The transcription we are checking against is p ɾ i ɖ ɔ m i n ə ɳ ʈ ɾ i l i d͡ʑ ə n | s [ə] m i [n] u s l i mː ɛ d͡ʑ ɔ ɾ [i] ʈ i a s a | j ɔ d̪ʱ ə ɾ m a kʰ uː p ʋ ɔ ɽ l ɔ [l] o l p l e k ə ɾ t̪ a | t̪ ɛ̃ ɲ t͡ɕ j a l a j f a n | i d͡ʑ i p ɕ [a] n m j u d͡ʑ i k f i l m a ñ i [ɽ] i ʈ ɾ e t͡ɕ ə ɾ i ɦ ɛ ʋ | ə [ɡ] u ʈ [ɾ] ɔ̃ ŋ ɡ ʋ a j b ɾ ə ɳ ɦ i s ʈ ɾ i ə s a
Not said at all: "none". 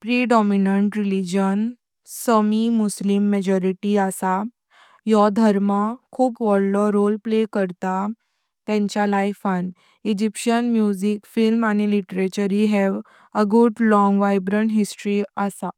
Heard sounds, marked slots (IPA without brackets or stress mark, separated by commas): ə, m, i, ɾ, ə, l, ɡ, l